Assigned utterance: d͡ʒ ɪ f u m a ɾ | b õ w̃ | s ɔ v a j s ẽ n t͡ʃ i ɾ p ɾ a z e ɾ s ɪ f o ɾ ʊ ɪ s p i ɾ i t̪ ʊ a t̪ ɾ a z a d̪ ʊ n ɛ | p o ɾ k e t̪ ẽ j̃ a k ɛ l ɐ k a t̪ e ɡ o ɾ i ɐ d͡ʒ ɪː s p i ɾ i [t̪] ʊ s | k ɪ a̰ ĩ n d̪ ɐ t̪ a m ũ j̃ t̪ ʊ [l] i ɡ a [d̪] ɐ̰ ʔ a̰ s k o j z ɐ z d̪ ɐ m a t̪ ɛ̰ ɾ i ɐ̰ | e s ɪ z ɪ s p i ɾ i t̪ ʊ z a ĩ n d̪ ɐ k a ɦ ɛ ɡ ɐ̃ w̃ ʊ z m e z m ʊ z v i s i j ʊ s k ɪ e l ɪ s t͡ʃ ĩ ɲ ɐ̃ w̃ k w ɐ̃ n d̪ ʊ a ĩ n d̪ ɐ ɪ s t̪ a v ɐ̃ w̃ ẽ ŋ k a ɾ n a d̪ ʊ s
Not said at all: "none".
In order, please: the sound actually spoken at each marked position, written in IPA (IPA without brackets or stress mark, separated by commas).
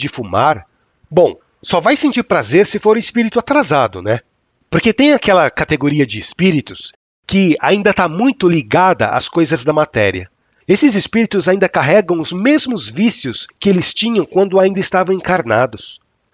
t̪, l, d̪